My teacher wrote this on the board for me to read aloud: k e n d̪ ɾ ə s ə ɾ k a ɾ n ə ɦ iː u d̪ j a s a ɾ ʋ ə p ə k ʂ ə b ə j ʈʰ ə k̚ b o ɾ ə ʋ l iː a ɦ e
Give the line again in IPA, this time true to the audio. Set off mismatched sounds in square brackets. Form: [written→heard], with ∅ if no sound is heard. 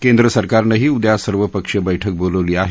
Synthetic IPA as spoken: k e n d̪ ɾ ə s ə ɾ k a ɾ n ə ɦ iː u d̪ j a s [a→ə] ɾ ʋ ə p ə k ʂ ə b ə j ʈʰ ə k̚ b o [ɾ→l] ə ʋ l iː a ɦ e